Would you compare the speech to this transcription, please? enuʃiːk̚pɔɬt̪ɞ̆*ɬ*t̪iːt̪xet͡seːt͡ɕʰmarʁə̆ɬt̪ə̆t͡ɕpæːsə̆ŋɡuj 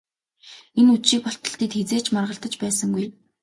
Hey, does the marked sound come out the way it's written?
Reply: yes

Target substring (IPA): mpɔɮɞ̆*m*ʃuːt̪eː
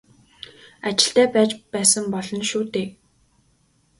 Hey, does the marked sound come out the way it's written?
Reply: no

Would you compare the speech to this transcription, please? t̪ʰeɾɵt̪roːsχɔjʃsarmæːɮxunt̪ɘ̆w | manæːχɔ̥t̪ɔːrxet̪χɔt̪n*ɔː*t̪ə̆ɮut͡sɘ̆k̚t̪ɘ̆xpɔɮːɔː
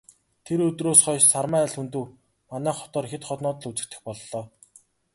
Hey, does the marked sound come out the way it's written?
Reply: yes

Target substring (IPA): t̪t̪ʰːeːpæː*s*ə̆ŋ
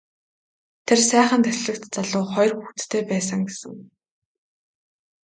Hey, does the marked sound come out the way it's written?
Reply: yes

